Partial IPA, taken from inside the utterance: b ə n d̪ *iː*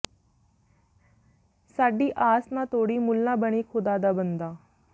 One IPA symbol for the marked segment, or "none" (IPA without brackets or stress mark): aː